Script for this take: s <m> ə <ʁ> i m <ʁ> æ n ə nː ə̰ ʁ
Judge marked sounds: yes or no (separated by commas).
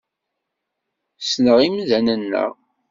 no, yes, no